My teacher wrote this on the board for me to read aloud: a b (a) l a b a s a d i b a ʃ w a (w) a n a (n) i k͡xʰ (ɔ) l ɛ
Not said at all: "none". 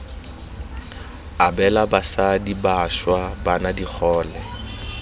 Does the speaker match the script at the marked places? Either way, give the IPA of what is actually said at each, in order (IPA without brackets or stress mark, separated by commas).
ɛ, b, d, ɔː